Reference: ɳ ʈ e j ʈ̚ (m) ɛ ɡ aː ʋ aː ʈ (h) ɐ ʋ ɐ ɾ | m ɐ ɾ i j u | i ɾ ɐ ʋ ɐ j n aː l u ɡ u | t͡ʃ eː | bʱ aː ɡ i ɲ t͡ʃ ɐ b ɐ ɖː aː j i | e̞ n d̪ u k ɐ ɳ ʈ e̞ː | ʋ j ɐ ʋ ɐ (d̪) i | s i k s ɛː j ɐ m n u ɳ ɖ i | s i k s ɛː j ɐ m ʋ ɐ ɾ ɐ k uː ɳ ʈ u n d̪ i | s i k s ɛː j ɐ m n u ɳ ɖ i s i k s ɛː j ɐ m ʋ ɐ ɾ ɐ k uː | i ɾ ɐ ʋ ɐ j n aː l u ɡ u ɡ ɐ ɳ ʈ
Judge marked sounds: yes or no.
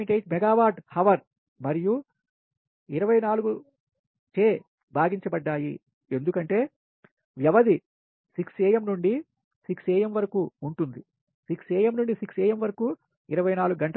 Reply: yes, yes, yes

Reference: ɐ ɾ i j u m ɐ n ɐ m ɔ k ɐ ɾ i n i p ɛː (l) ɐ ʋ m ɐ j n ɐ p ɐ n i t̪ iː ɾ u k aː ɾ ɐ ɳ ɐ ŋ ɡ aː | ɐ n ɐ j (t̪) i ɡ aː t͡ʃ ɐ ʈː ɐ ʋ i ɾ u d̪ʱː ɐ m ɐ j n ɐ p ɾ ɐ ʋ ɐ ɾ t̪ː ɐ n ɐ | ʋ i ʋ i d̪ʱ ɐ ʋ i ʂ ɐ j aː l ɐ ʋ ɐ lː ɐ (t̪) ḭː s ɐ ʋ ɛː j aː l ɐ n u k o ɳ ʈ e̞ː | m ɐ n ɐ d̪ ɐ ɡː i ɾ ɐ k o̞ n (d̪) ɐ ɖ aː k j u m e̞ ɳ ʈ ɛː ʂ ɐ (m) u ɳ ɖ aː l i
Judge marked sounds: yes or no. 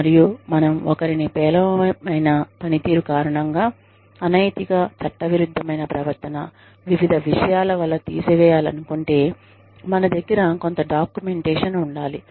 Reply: yes, yes, yes, no, no

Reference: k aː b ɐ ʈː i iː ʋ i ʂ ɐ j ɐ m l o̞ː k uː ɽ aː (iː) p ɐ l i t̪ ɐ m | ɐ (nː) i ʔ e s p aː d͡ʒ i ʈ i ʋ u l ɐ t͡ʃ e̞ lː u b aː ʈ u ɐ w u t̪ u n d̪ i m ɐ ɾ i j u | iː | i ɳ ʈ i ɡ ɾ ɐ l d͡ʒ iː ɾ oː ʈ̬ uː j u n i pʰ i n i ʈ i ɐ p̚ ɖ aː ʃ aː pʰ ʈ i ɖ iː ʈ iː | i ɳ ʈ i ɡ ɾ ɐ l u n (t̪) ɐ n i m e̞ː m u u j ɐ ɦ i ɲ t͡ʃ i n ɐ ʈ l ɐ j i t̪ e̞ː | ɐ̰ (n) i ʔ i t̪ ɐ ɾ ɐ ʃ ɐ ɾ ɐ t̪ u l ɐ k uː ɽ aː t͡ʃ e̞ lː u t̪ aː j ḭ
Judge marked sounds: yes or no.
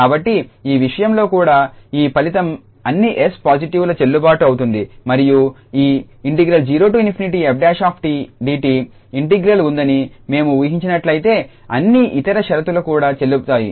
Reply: yes, yes, no, no

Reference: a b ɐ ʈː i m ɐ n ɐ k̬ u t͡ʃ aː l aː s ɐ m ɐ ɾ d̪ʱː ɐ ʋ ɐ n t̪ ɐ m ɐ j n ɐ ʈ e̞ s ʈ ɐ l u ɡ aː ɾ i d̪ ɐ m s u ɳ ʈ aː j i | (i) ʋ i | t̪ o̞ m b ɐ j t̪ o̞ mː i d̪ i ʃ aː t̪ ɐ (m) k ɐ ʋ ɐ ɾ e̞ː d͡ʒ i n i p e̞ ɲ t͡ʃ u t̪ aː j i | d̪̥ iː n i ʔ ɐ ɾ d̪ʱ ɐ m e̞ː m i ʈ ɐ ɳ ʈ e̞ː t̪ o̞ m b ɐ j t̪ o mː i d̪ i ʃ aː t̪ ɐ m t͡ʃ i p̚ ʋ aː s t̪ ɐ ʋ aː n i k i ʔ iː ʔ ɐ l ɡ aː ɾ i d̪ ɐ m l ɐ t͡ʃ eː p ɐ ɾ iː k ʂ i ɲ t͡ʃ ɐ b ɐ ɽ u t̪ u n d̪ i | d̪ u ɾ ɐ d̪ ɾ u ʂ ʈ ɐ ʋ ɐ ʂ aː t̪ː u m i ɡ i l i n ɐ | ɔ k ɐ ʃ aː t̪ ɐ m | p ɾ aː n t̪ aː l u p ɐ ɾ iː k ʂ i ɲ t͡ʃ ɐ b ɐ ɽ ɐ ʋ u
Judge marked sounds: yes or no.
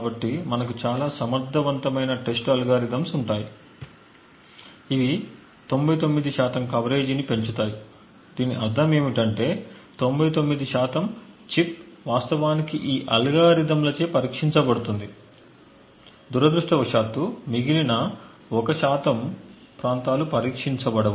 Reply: yes, yes

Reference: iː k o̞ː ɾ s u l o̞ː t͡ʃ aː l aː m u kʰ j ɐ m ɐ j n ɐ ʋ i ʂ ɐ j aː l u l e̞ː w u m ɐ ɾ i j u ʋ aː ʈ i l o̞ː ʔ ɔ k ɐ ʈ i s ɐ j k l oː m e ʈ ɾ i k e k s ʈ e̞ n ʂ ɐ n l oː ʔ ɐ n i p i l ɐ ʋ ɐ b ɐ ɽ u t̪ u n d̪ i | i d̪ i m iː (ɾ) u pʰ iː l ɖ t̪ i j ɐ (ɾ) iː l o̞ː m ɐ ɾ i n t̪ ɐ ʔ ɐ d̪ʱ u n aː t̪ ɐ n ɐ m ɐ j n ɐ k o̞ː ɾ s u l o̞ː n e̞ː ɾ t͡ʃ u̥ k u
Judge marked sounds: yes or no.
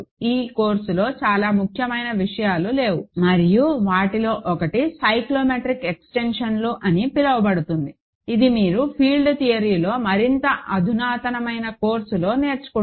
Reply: yes, yes

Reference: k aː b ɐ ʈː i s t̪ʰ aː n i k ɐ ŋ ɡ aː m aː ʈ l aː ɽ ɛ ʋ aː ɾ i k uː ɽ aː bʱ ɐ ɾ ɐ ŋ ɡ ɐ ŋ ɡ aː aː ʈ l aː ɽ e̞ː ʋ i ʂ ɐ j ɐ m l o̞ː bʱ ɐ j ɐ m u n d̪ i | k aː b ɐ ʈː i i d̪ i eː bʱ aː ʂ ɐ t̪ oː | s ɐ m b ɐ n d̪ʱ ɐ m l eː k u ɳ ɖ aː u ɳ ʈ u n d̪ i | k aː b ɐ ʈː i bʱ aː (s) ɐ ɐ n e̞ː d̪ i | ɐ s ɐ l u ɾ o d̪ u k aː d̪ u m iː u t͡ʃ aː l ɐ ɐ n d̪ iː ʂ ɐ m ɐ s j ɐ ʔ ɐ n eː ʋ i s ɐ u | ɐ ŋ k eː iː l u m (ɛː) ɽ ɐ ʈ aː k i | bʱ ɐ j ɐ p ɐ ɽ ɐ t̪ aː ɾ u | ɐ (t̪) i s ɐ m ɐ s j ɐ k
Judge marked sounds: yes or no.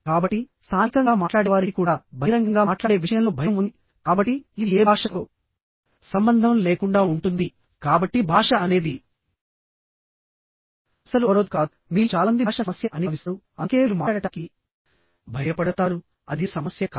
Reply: no, no, no

